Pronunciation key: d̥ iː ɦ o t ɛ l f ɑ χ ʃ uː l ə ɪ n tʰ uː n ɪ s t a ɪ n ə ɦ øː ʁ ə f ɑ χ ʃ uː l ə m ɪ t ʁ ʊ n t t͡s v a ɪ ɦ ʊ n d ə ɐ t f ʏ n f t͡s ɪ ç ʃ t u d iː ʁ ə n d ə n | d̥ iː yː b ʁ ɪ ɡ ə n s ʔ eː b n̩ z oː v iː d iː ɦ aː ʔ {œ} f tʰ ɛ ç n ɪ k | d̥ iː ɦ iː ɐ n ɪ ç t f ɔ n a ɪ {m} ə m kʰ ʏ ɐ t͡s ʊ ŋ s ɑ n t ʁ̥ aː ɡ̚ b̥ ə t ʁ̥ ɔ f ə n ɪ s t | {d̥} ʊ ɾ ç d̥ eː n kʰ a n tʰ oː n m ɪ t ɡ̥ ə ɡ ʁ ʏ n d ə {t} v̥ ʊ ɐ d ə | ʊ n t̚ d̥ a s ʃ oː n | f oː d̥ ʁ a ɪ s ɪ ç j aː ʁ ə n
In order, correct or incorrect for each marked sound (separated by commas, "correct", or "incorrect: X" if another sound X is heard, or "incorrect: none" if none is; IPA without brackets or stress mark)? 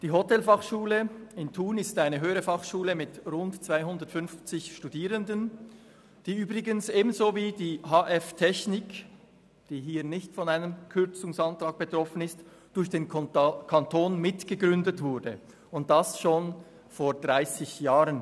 incorrect: ɛ, incorrect: n, correct, correct